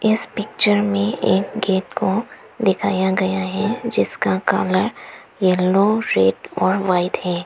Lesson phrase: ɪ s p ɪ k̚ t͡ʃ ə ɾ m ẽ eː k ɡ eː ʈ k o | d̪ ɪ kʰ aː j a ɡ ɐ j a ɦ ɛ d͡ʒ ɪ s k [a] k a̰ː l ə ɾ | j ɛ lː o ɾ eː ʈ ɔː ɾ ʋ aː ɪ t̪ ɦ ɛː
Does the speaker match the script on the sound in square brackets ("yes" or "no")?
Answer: yes